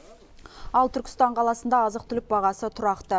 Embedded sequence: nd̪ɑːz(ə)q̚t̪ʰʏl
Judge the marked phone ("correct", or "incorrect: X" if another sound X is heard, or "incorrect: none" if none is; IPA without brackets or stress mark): correct